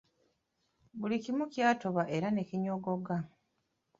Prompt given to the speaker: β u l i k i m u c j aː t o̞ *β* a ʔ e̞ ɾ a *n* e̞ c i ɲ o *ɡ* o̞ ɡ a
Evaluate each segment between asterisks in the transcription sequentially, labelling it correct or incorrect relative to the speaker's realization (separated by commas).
correct, correct, correct